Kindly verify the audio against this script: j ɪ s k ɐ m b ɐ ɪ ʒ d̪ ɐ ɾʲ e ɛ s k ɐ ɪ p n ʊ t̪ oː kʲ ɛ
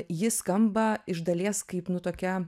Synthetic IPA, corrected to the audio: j ɪ s k ɐ m b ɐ ɪ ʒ d̪ ɐ lʲ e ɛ s k ɐ ɪ p n ʊ t̪ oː kʲ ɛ